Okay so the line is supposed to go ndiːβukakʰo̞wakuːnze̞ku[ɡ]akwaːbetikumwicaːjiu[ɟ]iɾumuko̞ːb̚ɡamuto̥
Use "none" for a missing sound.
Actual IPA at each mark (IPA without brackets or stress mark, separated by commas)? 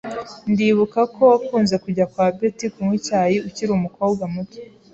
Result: ɟ, c